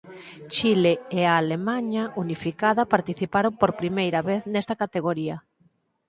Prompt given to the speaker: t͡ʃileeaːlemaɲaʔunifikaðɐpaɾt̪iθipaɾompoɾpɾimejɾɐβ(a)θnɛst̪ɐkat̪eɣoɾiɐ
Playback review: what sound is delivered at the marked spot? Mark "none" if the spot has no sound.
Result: e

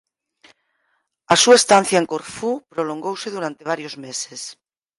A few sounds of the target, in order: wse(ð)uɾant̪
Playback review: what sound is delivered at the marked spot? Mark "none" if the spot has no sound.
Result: ð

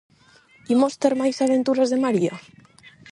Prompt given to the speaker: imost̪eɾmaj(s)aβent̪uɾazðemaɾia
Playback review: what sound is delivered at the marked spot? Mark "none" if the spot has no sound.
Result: s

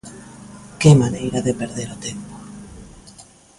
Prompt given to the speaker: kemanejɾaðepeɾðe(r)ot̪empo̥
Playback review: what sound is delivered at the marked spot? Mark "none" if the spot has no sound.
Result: ɾ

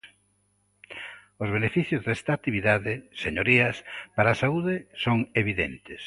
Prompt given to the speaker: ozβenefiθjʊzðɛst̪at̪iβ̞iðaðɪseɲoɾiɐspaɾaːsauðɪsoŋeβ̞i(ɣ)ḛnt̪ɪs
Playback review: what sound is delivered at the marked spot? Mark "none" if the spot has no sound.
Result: ð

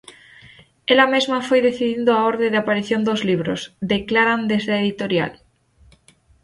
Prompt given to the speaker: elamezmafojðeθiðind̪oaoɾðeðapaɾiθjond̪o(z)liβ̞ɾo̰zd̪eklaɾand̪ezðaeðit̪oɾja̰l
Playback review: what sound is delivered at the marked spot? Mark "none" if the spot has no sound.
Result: z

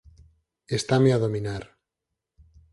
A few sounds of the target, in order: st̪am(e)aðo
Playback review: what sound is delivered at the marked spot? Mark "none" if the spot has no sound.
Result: e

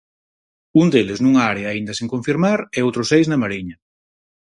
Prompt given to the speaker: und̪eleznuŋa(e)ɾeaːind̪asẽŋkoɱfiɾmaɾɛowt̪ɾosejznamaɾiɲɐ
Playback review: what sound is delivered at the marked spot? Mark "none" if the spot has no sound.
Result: a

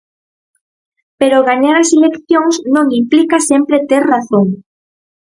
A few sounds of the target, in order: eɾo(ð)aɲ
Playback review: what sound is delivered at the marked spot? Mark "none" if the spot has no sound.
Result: ɣ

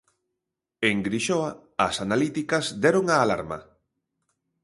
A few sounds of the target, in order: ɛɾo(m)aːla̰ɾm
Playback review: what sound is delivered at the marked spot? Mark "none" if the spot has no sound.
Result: ŋ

